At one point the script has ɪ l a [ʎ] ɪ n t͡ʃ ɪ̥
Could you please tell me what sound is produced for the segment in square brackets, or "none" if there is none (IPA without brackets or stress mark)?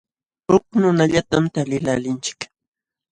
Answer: l